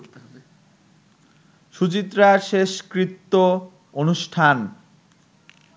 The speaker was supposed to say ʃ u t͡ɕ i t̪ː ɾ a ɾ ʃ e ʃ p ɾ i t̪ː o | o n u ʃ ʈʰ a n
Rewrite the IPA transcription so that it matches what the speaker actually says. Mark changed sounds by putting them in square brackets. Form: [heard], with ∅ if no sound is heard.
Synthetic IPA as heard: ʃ u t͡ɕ i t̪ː ɾ a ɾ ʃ e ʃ [k] ɾ i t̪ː o | o n u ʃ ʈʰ a n